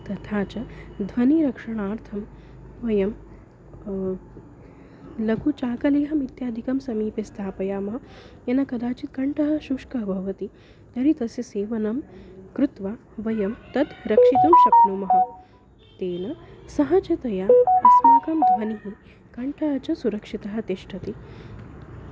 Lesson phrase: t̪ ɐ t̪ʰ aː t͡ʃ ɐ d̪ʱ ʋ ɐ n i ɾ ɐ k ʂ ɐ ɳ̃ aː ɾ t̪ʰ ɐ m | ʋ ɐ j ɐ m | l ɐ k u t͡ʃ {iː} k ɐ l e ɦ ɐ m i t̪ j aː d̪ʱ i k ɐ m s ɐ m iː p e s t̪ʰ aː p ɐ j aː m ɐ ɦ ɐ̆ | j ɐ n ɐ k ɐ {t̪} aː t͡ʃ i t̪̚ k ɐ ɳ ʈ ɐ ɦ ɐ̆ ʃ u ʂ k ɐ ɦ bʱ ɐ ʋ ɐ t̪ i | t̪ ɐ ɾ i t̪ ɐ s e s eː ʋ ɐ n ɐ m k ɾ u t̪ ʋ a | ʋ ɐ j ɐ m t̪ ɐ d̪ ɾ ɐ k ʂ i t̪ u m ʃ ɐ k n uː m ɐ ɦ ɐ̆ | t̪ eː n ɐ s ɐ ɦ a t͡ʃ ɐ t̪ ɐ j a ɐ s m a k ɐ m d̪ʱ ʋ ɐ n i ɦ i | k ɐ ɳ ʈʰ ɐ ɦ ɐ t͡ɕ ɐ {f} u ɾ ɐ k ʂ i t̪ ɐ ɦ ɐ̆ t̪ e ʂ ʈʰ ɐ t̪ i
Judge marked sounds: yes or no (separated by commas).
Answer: no, no, no